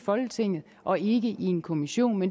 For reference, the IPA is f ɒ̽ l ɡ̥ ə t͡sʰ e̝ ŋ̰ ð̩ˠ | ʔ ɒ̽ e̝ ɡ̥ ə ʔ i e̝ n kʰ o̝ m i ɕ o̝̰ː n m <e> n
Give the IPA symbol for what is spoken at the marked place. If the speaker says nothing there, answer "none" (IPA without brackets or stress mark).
e